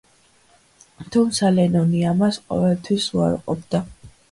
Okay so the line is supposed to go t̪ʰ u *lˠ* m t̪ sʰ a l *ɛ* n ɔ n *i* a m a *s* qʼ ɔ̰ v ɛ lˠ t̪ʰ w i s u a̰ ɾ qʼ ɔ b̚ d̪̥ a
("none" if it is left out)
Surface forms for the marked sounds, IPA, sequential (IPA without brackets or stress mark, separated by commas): none, ɛ, i, s